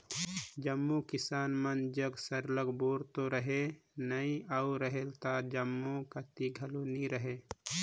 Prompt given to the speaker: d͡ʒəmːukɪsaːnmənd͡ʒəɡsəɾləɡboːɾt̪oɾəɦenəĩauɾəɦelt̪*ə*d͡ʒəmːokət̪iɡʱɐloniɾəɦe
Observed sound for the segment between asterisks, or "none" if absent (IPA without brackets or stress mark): a